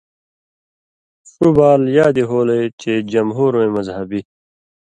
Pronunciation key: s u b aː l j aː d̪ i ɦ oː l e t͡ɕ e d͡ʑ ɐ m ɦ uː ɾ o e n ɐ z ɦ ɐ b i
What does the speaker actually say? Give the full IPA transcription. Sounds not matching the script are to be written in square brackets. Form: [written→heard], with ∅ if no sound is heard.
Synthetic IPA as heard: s u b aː l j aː d̪ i ɦ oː l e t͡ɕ e d͡ʑ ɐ m ɦ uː ɾ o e [n→m] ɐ z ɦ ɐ b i